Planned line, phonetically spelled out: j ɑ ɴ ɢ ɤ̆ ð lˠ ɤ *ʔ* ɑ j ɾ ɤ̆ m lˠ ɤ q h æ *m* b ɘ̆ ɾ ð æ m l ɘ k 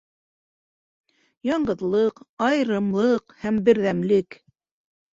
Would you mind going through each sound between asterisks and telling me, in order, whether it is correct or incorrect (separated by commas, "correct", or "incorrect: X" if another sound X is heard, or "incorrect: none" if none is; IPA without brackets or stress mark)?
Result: incorrect: q, correct